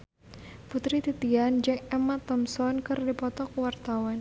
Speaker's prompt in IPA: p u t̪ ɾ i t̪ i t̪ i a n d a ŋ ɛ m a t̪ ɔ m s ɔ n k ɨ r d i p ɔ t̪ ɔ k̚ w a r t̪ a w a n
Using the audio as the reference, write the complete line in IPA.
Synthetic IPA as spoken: p u t̪ ɾ i t̪ i t̪ i a n d͡ʒ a ŋ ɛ m a t̪ ɔ m s ɔ n k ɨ r d i p ɔ t̪ ɔ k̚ w a r t̪ a w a n